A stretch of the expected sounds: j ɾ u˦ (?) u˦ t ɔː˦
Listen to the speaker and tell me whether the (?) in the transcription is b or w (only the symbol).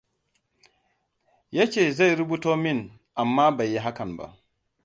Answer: b